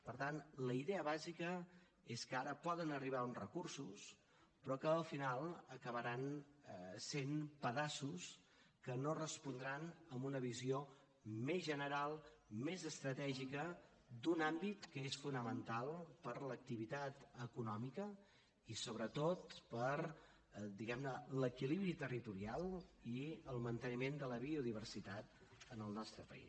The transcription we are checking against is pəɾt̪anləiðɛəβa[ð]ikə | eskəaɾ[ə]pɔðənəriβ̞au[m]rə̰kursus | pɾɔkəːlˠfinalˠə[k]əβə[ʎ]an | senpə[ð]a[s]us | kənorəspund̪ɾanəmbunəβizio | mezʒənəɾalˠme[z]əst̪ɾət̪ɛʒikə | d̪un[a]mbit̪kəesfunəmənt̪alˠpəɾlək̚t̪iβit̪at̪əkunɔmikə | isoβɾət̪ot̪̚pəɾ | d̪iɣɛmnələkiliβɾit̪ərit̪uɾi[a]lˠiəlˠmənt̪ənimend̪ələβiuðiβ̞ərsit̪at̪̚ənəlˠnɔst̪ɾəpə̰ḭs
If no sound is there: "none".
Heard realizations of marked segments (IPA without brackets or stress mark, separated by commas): z, ə, n, k, ɾ, ð, s, z, a, a